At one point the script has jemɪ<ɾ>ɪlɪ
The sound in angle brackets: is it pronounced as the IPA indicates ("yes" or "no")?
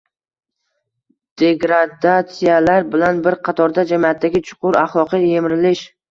yes